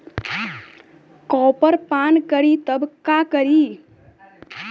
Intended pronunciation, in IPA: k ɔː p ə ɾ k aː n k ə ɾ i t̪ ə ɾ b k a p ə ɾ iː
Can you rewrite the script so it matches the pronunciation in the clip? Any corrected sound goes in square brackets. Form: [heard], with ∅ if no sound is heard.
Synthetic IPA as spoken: k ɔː p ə ɾ [p] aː n k ə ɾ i t̪ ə [∅] b k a [k] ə ɾ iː